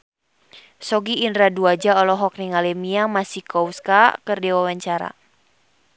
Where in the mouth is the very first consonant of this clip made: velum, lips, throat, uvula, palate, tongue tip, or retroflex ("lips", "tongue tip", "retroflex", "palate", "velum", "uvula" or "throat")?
tongue tip